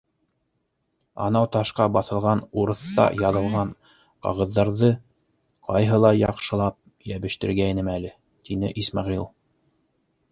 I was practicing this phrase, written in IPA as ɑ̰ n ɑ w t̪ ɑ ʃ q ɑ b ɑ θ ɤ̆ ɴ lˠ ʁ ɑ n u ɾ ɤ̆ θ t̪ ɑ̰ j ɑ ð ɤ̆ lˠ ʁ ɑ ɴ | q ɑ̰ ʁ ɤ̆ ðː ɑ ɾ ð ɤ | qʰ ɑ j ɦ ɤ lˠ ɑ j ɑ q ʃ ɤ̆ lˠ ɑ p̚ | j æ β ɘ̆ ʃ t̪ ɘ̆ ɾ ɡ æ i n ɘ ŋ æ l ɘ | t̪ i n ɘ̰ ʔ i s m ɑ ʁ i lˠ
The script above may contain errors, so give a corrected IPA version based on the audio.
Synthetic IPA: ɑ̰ n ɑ w t̪ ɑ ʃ q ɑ b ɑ θ ɤ̆ lˠ ʁ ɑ n u ɾ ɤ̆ θ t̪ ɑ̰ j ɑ ð ɤ̆ lˠ ʁ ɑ ɴ | q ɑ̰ ʁ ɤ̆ ðː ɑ ɾ ð ɤ | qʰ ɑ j ɦ ɤ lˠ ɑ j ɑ q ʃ ɤ̆ lˠ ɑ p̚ | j æ β ɘ̆ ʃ t̪ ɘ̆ ɾ ɡ æ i n ɘ m æ l ɘ | t̪ i n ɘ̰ ʔ i s m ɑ ʁ i lˠ